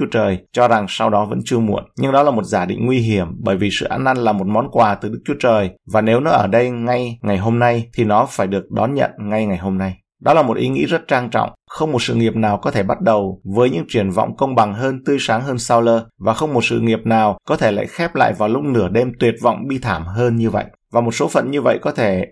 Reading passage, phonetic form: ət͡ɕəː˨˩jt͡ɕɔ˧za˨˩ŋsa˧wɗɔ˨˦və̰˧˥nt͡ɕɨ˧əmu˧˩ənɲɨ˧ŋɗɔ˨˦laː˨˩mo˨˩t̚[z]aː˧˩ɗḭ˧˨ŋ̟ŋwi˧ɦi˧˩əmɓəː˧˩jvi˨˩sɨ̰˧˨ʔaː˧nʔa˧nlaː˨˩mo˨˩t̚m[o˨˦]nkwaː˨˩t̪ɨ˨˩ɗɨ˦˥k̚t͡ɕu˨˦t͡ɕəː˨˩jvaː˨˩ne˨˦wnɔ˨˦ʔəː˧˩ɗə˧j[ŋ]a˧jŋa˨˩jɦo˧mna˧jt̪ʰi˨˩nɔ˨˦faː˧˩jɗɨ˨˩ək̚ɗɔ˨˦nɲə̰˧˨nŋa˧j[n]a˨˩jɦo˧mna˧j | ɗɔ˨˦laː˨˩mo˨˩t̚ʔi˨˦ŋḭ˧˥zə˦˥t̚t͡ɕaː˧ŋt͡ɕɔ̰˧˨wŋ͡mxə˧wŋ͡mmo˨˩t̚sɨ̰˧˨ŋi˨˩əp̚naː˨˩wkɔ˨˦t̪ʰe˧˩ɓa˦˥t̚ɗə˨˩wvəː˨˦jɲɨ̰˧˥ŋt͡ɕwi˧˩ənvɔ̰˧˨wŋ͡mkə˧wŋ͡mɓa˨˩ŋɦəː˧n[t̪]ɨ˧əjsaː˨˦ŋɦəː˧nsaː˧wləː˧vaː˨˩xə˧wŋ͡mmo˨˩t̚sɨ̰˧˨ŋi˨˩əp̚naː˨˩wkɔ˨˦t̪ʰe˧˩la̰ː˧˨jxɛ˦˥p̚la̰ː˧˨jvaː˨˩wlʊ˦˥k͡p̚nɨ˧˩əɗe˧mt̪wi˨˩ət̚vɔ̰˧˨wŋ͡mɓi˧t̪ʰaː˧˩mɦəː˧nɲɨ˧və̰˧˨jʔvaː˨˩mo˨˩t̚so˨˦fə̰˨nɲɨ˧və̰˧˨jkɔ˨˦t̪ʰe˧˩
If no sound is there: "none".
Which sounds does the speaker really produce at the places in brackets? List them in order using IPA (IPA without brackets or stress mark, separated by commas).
z, ɔ˨˦, ŋ, ŋ, t̪